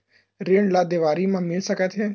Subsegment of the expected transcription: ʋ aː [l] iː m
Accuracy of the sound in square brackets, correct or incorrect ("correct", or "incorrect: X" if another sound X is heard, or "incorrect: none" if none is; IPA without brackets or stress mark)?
incorrect: ɾ